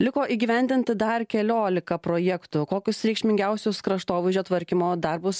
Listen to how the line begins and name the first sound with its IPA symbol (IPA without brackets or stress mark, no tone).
lʲ